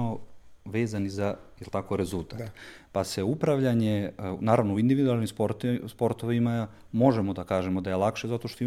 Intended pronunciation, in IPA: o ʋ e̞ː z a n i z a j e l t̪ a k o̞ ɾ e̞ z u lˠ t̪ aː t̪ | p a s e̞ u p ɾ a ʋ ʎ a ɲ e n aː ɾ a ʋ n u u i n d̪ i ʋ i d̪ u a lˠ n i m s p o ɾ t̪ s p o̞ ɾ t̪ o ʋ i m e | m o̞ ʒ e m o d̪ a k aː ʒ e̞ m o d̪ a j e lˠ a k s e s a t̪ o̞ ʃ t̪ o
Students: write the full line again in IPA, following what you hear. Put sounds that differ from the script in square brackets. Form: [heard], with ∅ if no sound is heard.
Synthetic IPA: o ʋ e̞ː z a n i z a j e l t̪ a k o̞ ɾ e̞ z u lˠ t̪ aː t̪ | p a s e̞ u p ɾ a ʋ ʎ a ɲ e n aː ɾ a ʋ n [o] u i n d̪ i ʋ i d̪ u a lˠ n i m s p o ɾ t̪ s p o̞ ɾ t̪ o ʋ i m [a] | m o̞ ʒ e m o d̪ a k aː ʒ e̞ m o d̪ a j e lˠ a k [ʃ] e [z] a t̪ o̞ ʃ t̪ o